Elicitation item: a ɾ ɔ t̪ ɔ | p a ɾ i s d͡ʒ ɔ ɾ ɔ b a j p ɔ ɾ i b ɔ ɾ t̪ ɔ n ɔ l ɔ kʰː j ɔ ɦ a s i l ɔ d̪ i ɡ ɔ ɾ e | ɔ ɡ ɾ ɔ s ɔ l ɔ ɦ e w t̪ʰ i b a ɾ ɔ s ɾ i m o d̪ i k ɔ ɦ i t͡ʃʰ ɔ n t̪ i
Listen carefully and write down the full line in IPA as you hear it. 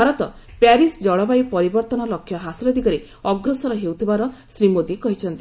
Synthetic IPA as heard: a ɾ ɔ t̪ ɔ | p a ɾ i s d͡ʒ ɔ ɭ ɔ b a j p ɔ ɾ i b ɔ ɾ t̪ ɔ n ɔ l ɔ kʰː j ɔ ɦ a s i l ɔ d̪ i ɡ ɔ ɾ e | ɔ ɡ ɾ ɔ s ɔ ɾ ɔ ɦ e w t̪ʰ i b a ɾ ɔ s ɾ i m o d̪ i k ɔ ɦ i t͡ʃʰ ɔ n t̪ i